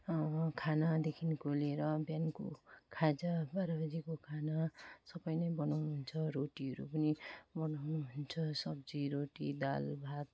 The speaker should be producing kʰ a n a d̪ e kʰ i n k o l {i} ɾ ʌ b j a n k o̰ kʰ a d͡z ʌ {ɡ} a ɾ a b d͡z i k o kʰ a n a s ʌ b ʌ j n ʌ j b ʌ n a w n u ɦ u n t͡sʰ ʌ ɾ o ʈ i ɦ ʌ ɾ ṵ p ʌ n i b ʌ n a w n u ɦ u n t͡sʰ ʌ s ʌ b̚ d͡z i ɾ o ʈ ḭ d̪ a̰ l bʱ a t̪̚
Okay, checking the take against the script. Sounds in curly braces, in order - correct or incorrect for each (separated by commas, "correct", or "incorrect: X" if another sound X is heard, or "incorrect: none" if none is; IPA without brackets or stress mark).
incorrect: e, incorrect: b